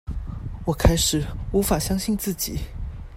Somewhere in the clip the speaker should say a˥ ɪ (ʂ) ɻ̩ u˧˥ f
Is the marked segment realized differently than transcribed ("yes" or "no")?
no